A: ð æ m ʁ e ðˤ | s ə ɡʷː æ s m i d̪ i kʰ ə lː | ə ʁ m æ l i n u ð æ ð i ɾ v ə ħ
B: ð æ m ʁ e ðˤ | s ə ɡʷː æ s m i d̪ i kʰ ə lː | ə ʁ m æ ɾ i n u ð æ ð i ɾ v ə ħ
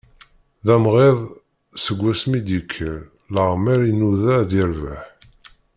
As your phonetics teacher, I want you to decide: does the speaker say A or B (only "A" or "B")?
B